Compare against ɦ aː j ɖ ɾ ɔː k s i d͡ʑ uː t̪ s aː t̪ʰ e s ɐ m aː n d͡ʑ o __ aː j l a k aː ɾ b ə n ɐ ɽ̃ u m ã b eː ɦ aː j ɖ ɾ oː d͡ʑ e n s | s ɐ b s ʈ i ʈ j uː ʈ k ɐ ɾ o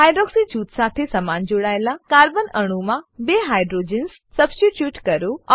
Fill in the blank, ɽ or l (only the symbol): ɽ